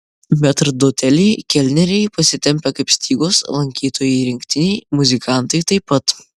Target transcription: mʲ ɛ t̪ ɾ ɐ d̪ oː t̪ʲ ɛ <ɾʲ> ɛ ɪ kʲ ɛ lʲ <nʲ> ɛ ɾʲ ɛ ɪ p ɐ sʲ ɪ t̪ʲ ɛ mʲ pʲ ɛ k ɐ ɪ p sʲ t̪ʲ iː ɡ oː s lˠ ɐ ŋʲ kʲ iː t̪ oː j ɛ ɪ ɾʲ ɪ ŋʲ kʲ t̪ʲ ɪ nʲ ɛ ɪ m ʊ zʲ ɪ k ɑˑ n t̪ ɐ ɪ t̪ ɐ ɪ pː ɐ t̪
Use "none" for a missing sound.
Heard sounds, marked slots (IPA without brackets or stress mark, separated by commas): lʲ, nʲ